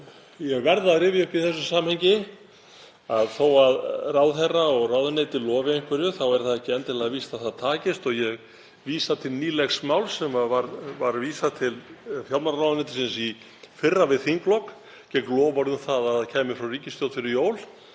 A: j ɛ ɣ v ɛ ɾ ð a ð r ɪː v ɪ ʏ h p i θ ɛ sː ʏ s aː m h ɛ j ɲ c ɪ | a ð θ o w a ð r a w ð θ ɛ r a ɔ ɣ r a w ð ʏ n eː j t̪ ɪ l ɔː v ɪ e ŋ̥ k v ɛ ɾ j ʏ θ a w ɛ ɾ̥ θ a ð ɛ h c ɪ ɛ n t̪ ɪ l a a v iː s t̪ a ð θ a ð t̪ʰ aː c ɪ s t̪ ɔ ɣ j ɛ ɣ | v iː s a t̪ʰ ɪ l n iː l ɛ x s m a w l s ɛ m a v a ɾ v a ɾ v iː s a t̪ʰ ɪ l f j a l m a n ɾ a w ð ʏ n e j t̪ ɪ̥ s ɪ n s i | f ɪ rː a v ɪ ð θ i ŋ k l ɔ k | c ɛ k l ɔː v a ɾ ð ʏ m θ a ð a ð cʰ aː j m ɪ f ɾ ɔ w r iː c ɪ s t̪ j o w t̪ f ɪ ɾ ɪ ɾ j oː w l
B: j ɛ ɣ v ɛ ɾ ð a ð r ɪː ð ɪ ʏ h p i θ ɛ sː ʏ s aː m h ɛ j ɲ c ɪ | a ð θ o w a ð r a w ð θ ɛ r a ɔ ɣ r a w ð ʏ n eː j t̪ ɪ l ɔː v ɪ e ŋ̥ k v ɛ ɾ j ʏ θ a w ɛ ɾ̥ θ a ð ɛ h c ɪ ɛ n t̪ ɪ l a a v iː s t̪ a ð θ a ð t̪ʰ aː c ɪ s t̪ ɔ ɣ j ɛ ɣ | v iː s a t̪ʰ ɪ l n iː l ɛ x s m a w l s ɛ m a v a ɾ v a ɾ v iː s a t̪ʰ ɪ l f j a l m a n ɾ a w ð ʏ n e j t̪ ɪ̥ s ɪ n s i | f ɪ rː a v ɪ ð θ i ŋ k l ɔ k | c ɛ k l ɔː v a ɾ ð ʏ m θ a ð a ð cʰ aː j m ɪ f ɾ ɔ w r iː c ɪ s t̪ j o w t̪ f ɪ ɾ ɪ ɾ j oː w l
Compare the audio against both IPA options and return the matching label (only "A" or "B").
A